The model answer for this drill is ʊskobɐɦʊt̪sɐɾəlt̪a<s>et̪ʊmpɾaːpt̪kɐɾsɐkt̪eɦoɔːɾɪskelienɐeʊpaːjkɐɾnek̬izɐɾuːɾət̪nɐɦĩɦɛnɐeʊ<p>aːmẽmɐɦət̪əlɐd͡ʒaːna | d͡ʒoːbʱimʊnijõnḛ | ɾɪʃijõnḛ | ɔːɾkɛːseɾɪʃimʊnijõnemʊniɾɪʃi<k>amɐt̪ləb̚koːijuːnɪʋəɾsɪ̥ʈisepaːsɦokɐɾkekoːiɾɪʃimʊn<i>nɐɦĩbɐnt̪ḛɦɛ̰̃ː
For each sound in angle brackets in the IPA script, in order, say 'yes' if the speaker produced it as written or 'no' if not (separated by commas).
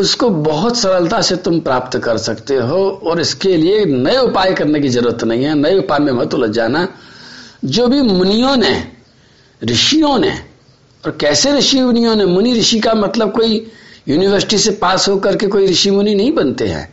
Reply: yes, yes, yes, yes